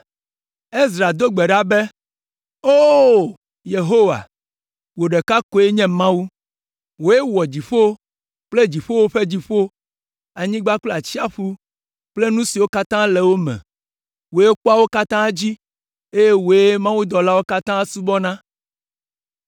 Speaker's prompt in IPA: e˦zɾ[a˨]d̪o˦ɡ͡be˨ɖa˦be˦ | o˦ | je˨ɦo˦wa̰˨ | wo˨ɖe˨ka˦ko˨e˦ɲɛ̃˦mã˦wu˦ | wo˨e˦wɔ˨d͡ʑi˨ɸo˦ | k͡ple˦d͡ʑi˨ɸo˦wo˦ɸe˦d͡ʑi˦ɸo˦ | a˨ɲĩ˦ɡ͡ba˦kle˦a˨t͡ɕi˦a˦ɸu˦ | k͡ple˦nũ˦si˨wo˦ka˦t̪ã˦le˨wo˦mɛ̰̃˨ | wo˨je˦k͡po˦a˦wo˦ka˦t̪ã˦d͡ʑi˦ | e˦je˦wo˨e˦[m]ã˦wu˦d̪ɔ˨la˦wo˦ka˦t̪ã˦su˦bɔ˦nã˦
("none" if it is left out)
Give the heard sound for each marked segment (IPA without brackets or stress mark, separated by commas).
a˨, m